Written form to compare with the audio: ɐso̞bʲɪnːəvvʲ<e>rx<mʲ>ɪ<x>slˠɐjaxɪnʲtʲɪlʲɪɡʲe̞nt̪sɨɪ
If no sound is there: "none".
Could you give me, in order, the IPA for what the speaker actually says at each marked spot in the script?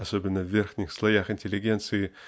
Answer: e, nʲ, x

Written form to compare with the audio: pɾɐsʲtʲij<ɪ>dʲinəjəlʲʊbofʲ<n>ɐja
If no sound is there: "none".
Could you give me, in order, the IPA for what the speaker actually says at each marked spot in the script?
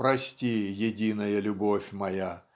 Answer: ɪ, m

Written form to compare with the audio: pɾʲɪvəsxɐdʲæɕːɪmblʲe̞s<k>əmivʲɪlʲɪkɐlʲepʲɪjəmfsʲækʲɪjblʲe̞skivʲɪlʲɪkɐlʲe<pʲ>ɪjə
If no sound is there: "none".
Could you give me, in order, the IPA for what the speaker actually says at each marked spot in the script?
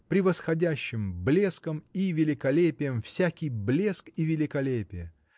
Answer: k, pʲ

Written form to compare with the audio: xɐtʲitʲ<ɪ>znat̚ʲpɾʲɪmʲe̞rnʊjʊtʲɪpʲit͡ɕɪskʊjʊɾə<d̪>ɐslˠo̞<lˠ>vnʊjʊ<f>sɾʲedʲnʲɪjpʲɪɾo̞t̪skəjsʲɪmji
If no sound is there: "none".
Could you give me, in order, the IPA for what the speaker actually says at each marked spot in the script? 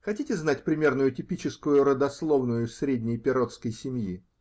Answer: ɪ, d̪, none, f

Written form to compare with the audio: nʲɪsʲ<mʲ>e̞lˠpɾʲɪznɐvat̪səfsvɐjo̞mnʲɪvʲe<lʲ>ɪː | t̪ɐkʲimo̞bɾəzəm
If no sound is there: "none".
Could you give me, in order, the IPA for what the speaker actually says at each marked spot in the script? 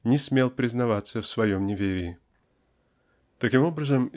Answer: mʲ, ɾʲ

